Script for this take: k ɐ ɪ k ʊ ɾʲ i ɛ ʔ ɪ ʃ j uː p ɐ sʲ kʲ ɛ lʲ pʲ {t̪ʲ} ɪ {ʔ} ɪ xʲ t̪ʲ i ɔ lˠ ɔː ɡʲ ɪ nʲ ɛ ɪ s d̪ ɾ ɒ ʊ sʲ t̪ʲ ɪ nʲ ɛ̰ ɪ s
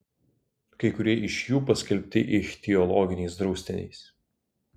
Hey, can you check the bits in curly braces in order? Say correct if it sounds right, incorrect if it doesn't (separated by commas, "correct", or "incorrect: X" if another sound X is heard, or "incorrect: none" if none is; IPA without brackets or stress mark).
correct, correct